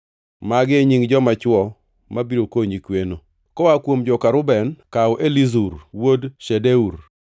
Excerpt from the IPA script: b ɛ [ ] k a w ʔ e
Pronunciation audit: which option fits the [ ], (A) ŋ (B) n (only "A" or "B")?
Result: B